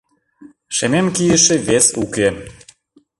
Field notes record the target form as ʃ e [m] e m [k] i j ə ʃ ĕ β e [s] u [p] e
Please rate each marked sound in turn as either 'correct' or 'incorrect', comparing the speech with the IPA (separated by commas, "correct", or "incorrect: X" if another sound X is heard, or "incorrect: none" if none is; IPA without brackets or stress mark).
correct, correct, correct, incorrect: k